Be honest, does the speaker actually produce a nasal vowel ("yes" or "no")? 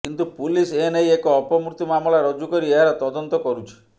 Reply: no